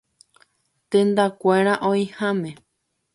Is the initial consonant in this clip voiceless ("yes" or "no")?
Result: yes